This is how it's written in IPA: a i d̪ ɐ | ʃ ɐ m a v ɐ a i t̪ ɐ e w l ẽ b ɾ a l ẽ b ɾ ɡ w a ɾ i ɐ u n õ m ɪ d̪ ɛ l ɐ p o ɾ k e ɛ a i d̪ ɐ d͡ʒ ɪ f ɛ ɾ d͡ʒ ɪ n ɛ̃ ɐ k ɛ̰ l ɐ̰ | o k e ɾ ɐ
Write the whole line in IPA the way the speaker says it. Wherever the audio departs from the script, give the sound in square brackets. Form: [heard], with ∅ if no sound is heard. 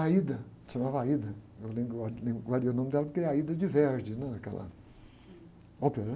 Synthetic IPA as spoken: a i d̪ ɐ | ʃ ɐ m a v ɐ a i [d̪] ɐ e w l ẽ b ɾ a l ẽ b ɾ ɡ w a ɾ i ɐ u n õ m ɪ d̪ ɛ l ɐ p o ɾ k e ɛ a i d̪ ɐ d͡ʒ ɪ [v] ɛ ɾ d͡ʒ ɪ n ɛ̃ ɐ k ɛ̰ l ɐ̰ | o [p] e ɾ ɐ